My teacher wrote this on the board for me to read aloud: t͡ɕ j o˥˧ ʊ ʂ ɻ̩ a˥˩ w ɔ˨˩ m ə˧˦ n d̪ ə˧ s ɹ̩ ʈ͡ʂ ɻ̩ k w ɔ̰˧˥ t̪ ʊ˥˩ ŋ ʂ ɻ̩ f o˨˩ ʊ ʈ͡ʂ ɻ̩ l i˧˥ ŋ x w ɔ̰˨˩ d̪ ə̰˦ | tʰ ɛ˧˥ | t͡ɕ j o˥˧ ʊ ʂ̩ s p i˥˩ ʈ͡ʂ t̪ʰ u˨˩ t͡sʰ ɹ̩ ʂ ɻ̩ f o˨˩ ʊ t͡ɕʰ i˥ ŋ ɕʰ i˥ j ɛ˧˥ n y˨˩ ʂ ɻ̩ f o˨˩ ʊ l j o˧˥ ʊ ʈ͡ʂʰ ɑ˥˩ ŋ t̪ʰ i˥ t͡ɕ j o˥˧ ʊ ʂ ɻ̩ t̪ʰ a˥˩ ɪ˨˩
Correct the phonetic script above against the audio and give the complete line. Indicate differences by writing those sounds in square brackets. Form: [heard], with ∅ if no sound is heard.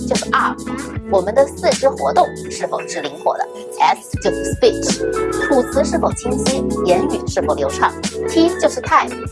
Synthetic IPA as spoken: t͡ɕ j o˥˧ ʊ ʂ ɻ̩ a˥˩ w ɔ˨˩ m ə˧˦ n d̪ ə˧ s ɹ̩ ʈ͡ʂ ɻ̩ [x] w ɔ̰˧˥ t̪ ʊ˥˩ ŋ ʂ ɻ̩ f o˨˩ ʊ ʈ͡ʂ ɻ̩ l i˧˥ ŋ x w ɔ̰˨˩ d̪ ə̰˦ | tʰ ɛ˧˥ | t͡ɕ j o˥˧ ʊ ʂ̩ s p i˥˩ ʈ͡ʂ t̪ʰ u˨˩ t͡sʰ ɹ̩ ʂ ɻ̩ f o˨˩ ʊ t͡ɕʰ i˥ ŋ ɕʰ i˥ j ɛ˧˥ n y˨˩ ʂ ɻ̩ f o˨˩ ʊ l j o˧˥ ʊ ʈ͡ʂʰ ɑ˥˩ ŋ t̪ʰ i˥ t͡ɕ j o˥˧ ʊ ʂ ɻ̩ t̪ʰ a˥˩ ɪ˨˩